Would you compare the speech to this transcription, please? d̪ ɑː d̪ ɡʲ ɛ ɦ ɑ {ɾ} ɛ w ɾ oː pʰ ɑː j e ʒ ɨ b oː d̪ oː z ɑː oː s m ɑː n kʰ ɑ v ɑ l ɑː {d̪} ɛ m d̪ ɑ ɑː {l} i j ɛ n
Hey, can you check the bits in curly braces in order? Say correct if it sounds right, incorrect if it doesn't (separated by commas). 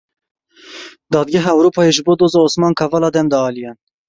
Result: incorrect, correct, correct